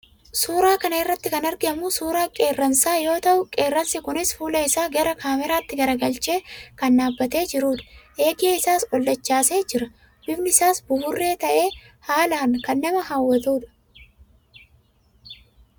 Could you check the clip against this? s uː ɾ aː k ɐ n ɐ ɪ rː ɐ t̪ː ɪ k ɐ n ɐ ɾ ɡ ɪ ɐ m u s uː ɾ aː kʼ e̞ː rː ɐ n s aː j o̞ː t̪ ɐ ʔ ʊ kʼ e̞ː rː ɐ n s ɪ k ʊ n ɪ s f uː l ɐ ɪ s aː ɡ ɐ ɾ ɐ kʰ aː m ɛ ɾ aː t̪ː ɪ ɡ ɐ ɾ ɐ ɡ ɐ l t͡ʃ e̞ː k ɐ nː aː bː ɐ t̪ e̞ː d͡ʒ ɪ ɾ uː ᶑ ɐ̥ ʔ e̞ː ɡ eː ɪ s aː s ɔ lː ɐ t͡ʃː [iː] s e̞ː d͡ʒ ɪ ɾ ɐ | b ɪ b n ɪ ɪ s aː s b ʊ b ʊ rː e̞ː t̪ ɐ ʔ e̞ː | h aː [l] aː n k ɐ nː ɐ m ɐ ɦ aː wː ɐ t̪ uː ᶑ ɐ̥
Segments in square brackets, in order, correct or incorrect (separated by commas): incorrect, correct